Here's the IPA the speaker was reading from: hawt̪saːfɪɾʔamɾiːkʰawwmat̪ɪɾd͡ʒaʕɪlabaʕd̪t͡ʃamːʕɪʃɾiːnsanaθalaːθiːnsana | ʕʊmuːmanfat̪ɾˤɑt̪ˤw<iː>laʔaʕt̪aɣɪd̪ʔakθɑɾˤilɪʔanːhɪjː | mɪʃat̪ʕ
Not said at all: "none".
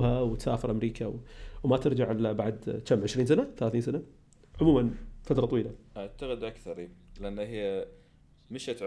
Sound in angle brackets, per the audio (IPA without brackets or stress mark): iː